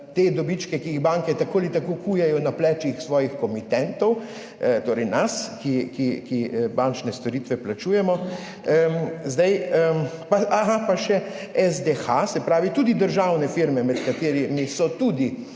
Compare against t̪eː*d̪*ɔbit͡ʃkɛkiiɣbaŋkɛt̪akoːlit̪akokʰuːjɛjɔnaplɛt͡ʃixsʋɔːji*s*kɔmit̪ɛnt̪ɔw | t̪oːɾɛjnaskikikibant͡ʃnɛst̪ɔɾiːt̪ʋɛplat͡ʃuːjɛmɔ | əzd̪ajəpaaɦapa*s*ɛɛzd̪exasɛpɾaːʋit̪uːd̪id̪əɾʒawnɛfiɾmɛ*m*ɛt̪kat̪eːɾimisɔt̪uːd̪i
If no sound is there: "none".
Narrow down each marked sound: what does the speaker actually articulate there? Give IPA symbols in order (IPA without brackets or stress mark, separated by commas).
d̪, x, ʃ, m